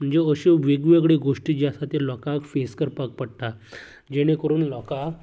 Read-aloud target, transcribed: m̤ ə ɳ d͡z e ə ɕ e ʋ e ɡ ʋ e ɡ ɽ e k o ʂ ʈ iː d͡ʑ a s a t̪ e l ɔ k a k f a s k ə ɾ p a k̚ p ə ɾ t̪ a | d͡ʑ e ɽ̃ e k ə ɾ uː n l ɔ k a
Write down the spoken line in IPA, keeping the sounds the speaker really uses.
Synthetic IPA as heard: m̤ ə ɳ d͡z e ə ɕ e ʋ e ɡ ʋ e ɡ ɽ e ɡ o ʂ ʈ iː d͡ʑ a s a t̪ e l ɔ k a k f e s k ə ɾ p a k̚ p ə ɽ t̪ a | d͡ʑ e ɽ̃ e k ə ɾ uː n l ɔ k a

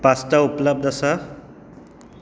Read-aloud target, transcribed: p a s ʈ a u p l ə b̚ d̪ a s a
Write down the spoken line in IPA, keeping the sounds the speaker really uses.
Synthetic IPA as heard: p a s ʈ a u p l ə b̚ d̪ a s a

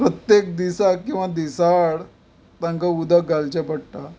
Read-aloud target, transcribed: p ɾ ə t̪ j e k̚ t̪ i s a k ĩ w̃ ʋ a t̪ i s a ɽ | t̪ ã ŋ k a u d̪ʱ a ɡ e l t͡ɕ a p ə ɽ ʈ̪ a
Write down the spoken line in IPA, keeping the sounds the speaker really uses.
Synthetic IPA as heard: p ɾ ə t̪ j e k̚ d̪ i s a k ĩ w̃ ʋ a d̪ i s a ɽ | t̪ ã ŋ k a u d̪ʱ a ɡ a l t͡ɕ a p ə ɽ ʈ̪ a

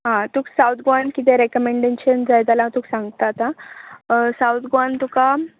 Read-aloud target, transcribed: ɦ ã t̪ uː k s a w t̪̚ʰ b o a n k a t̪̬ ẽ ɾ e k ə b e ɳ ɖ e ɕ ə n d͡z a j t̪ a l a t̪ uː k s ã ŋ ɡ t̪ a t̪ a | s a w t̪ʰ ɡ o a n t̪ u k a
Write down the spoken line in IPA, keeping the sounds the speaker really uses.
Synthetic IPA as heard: ɦ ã t̪ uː k s a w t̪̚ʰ ɡ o a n k i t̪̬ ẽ ɾ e k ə m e ɳ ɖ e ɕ ə n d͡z a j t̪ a l a t̪ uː k s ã ŋ ɡ t̪ a t̪ a | s a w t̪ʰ ɡ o a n t̪ u k a

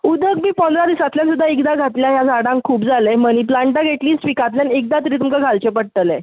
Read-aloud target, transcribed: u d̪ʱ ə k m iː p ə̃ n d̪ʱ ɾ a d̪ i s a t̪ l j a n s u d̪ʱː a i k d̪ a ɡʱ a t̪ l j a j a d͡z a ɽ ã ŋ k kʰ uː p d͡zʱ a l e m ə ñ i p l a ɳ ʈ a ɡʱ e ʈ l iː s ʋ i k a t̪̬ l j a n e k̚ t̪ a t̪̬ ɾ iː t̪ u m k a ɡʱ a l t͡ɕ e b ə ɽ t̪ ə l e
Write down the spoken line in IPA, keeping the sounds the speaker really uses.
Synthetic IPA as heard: u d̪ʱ ə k m iː p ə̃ n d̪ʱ ɾ a d̪ i s a t̪ l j a n s u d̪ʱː a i k d̪ a ɡʱ a t̪ l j a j a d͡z a ɽ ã ŋ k kʰ uː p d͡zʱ a l e m ə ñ i p l a ɳ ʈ a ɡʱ e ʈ l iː s ʋ i k a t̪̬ l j a n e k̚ d̪ a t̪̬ ɾ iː t̪ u m k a ɡʱ a l t͡ɕ e p ə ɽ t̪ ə l e

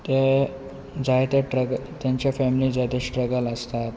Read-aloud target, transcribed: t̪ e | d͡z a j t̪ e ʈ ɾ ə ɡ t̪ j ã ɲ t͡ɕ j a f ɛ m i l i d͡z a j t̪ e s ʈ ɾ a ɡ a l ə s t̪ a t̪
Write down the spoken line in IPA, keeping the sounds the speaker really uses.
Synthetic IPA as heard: t̪ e | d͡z a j t̪ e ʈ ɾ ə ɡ t̪ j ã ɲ t͡ɕ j a f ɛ m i l i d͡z a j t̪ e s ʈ ɾ ə ɡ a l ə s t̪ a t̪

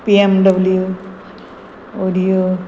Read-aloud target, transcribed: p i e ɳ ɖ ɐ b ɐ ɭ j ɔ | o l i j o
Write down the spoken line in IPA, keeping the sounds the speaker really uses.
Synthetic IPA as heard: p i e m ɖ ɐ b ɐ l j u | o ɾ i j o

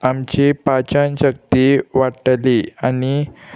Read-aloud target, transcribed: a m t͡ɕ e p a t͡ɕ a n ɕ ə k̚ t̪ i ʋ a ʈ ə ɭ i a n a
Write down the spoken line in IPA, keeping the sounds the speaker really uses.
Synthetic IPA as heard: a m t͡ɕ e p a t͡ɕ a n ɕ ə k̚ t̪ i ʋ a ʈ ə l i a n i

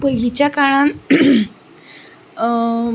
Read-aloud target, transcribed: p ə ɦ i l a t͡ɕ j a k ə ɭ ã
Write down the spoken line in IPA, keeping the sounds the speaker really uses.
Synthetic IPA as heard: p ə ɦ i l i t͡ɕ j a k a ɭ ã

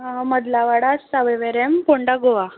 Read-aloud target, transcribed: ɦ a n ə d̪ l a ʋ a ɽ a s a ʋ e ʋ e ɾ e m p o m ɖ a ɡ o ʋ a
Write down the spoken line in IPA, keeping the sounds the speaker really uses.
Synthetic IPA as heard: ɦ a m ə d̪ l a ʋ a ɽ a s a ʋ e ʋ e ɾ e m p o ɳ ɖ a ɡ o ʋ a

